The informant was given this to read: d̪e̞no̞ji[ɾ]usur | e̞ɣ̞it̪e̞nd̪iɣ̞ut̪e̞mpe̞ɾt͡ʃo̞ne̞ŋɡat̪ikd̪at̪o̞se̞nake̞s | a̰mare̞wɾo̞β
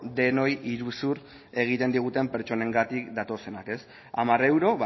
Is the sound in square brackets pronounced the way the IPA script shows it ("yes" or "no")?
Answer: yes